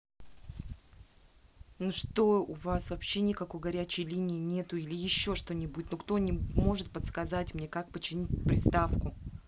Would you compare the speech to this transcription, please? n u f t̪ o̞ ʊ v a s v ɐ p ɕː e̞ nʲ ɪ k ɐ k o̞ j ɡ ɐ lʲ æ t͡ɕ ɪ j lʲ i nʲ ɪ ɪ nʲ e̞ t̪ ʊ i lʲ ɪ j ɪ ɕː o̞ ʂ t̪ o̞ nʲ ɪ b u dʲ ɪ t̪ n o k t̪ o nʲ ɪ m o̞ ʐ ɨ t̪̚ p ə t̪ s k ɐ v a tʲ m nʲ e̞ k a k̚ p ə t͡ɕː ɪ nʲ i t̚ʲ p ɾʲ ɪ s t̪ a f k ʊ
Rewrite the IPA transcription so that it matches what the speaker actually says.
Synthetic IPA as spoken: n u ʂ t̪ o̞ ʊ v a s v ɐ p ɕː e̞ nʲ ɪ k ɐ k o̞ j ɡ ɐ ɾʲ æ t͡ɕ ɪ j lʲ i nʲ ɪ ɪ nʲ e̞ t̪ ʊ i lʲ ɪ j ɪ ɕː o̞ ʂ t̪ o̞ nʲ ɪ b u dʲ ɪ t̪ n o k t̪ o nʲ ɪ m o̞ ʐ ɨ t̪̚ p ə t̪ s k ɐ z a tʲ m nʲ e̞ k a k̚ p ə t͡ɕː ɪ nʲ i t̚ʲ p ɾʲ ɪ s t̪ a f k ʊ